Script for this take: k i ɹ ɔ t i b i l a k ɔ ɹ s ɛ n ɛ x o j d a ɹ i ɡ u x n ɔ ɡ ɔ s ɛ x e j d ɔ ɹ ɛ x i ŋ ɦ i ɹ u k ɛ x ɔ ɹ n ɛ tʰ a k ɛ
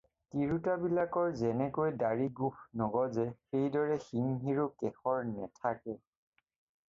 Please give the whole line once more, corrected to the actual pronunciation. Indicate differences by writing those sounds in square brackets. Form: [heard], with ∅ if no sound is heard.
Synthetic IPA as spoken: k i ɹ [u] t [a] b i l a k ɔ ɹ [z] ɛ n ɛ [k] o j d a ɹ i ɡ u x n ɔ ɡ ɔ [z] ɛ x e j d ɔ ɹ ɛ x i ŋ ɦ i ɹ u k ɛ x ɔ ɹ n ɛ tʰ a k ɛ

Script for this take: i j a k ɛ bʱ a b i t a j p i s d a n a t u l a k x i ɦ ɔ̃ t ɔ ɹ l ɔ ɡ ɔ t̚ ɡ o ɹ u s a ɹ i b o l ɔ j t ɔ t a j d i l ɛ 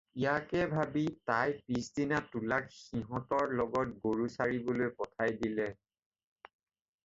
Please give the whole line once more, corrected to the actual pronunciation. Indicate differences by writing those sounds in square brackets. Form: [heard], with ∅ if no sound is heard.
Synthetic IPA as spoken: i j a k ɛ bʱ a b i t a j p i s d [i] n a t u l a k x i ɦ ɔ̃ t ɔ ɹ l ɔ ɡ ɔ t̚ ɡ o ɹ u s a ɹ i b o l [o] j [p] ɔ [tʰ] a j d i l ɛ

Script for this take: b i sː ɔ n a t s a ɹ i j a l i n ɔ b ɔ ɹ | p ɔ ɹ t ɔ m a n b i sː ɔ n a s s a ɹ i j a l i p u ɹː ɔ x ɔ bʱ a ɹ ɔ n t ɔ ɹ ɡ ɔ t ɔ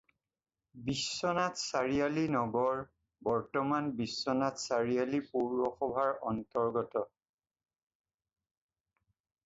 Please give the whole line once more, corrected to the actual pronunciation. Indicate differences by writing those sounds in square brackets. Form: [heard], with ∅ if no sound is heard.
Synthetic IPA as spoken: b i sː ɔ n a t s a ɹ i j a l i n ɔ [ɡ] ɔ ɹ | [b] ɔ ɹ t ɔ m a n b i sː ɔ n a [t] s a ɹ i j a l i p u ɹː ɔ x ɔ bʱ a ɹ ɔ n t ɔ ɹ ɡ ɔ t ɔ

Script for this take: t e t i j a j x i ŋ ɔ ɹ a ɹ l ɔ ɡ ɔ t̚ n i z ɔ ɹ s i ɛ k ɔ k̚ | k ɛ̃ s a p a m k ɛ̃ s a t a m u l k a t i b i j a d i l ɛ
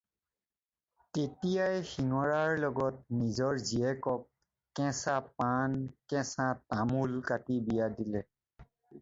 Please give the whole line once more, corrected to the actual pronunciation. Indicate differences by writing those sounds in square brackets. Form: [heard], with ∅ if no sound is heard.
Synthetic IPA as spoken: t e t i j a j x i ŋ ɔ ɹ a ɹ l ɔ ɡ ɔ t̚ n i z ɔ ɹ [z] i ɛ k ɔ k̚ | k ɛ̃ s a p a [n] k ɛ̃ s a t a m u l k a t i b i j a d i l ɛ

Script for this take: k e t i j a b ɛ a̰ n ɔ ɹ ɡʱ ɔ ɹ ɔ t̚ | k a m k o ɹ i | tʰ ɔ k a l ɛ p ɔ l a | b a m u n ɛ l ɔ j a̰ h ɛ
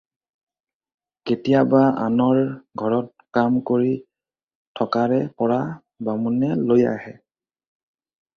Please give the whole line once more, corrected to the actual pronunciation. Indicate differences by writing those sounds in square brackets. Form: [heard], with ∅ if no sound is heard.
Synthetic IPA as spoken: k e t i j a b [a] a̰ n ɔ ɹ ɡʱ ɔ ɹ ɔ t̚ | k a m k o ɹ i | tʰ ɔ k a [ɹ] ɛ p ɔ [ɹ] a | b a m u n ɛ l [o] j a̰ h ɛ

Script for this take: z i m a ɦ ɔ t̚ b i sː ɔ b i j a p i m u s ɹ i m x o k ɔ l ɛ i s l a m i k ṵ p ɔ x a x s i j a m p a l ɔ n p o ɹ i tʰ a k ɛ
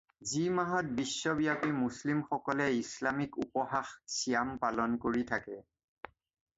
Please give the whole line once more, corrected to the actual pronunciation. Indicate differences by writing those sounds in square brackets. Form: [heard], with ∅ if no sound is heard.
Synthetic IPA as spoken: z i m a ɦ ɔ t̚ b i sː ɔ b i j a p i m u s [l] i m x [ɔ] k ɔ l ɛ i s l a m i k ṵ p ɔ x a x s i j a m p a l ɔ n [k] o ɹ i tʰ a k ɛ

